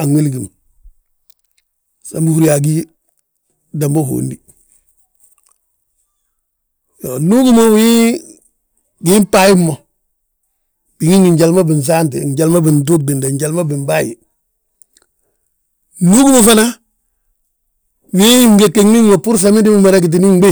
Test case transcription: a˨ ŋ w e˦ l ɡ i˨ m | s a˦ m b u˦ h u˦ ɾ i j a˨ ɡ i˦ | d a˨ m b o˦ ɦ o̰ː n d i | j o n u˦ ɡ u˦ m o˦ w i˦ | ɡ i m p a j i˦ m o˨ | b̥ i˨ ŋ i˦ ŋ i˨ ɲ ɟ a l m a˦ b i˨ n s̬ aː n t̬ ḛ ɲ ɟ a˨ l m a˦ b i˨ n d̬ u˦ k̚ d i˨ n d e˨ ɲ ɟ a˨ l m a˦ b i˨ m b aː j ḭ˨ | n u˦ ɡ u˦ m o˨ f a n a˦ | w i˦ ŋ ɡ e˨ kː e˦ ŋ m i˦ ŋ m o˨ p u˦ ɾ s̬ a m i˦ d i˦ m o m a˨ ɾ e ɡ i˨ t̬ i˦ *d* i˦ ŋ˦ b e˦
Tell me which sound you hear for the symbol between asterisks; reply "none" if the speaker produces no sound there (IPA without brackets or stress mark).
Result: n